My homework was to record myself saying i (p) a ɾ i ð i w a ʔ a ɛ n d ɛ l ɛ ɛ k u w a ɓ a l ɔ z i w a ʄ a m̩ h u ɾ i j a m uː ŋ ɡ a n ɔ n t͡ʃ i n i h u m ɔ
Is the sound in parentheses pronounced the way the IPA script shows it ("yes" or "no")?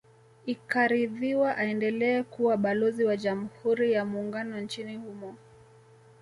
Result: no